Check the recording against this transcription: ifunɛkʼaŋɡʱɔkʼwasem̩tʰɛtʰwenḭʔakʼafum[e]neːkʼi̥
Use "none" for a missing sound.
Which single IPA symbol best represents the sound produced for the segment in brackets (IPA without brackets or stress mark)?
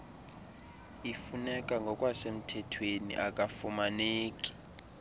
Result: a